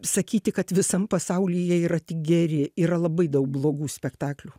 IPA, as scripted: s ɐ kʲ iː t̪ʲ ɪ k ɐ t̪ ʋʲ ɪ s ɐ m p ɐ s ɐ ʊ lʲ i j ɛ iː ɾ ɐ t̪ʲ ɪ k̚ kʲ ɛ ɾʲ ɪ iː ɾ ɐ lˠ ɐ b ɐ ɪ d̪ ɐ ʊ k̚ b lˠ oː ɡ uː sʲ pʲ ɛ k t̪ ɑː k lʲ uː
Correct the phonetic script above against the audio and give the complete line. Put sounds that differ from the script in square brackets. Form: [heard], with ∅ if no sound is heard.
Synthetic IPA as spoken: s ɐ kʲ iː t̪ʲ ɪ k ɐ t̪ ʋʲ ɪ s ɐ m p ɐ s ɐ ʊ lʲ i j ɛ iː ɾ ɐ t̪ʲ ɪ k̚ [ɡʲ] ɛ ɾʲ ɪ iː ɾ ɐ lˠ ɐ b ɐ ɪ d̪ ɐ ʊ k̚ b lˠ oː ɡ uː sʲ pʲ ɛ k t̪ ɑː k lʲ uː